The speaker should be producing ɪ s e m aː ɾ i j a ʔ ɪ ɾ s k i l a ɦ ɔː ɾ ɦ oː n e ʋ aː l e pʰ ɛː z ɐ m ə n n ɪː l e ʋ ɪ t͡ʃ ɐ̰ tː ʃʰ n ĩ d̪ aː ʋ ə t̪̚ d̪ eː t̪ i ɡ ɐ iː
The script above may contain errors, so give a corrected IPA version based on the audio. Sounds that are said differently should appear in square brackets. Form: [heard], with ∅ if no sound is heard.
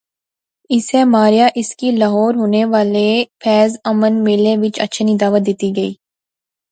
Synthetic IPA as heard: ɪ s e m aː ɾ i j a ʔ ɪ [∅] s k i l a ɦ ɔː ɾ ɦ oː n e ʋ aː l e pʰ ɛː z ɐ m ə n [m] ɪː l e ʋ ɪ t͡ʃ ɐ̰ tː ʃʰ n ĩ d̪ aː ʋ ə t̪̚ d̪ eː t̪ i ɡ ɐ iː